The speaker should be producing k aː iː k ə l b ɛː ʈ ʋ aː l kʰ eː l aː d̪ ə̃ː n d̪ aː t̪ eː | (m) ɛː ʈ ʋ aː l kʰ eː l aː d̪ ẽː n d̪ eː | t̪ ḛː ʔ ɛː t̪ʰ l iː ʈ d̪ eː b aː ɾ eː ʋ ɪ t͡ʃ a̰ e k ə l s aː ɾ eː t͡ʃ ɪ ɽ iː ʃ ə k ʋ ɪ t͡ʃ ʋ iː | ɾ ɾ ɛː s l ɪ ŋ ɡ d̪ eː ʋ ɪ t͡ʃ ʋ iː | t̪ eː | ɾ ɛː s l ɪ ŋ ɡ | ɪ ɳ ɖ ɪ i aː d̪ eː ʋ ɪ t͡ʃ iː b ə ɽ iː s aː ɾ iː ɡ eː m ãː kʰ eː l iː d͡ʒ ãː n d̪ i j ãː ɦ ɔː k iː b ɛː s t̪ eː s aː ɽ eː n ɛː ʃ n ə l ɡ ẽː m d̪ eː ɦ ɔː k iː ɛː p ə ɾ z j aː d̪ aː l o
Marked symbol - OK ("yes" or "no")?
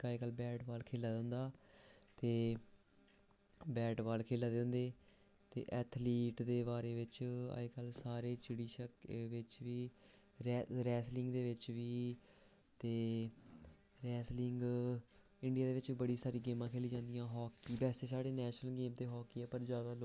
no